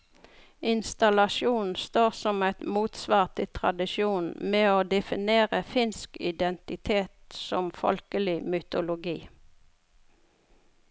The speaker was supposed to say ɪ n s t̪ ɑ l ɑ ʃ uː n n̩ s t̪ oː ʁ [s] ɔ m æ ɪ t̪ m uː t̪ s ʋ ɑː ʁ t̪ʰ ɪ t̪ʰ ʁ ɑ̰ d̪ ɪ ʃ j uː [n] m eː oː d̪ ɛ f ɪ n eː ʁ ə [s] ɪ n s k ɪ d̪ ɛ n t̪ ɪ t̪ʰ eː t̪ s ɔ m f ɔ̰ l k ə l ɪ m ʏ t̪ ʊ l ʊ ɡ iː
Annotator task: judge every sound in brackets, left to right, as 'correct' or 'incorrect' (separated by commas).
correct, correct, incorrect